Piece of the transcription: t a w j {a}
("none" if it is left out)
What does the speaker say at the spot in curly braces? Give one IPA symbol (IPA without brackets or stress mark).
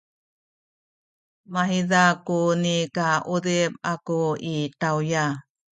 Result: a